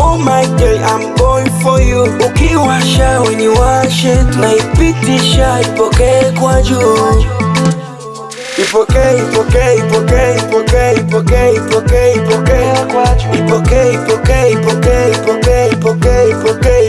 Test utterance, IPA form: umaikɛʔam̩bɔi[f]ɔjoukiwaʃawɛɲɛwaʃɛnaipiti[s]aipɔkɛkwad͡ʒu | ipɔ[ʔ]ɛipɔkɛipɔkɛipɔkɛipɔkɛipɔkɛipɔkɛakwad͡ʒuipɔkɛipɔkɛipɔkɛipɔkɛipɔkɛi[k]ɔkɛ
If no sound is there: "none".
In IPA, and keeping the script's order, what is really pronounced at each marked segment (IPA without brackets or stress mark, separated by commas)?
f, ʃ, k, p